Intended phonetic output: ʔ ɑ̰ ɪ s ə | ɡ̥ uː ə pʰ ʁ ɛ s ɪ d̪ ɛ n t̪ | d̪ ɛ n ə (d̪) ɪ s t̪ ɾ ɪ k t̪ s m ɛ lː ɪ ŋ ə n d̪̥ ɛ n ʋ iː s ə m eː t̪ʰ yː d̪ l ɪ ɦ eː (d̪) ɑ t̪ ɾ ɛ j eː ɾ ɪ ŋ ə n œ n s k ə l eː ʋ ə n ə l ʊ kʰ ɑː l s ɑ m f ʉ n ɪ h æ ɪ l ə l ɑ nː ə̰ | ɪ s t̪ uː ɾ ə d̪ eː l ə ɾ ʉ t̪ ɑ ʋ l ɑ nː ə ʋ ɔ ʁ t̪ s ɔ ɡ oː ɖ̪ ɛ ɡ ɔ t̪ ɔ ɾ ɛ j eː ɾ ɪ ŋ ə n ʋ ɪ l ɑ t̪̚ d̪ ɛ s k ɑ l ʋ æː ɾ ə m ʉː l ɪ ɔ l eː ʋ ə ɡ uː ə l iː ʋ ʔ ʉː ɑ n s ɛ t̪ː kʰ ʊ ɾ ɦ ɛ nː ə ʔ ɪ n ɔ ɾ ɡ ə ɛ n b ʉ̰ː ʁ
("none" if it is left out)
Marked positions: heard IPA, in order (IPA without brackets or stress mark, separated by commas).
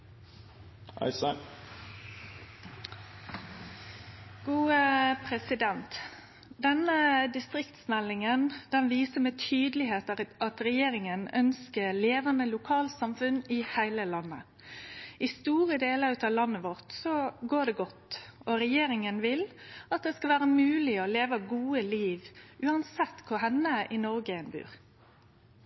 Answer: d̪, t̪